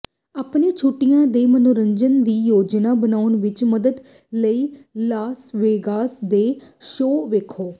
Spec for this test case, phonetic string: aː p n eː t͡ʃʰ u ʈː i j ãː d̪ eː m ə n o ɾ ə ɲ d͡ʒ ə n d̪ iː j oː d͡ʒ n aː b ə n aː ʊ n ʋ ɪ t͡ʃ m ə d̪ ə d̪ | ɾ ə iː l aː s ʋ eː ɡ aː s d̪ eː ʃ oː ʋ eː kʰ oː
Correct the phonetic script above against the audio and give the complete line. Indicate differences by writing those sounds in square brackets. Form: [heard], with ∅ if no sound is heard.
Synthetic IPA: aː p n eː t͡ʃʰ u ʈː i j ãː d̪ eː m ə n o ɾ ə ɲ d͡ʒ ə n d̪ iː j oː d͡ʒ n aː b ə n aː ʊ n ʋ ɪ t͡ʃ m ə d̪ ə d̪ | [l] ə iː l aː s ʋ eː ɡ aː s d̪ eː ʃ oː ʋ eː kʰ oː